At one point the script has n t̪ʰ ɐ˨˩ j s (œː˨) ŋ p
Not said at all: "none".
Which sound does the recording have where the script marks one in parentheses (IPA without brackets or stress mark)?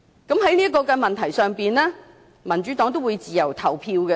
œː˨